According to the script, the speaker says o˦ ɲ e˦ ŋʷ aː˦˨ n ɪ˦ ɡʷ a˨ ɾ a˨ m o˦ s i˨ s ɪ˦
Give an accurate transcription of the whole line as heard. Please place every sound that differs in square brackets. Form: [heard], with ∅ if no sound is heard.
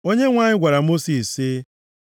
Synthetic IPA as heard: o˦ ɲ e˦ ŋʷ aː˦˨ [ɲ] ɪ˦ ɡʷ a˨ ɾ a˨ m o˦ s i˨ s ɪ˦